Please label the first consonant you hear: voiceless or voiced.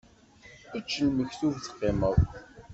voiceless